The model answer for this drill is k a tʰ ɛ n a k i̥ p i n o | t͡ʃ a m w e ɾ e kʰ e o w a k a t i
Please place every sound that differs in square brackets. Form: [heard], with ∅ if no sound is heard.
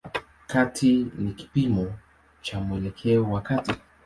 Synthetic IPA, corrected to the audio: k a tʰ [i] n [i] k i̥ p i [m] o | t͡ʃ a m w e [l] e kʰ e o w a k a t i